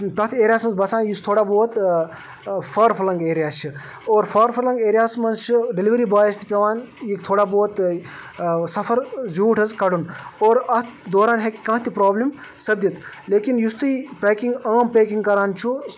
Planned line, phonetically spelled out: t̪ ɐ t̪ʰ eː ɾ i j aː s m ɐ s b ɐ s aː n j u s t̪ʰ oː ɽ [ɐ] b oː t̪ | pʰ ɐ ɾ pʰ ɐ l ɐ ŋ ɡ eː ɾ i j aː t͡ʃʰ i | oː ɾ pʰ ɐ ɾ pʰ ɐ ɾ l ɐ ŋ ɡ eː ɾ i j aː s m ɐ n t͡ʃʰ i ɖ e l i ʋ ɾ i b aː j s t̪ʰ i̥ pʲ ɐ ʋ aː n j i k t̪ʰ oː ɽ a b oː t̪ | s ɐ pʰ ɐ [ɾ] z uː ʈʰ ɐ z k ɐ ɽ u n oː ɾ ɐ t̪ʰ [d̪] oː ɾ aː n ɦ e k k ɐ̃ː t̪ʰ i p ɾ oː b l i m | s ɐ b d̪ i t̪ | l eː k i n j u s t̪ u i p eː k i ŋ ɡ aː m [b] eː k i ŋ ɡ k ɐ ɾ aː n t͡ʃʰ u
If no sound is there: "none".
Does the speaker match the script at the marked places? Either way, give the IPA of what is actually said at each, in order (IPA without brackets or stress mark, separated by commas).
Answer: a, ɾ, d̪, p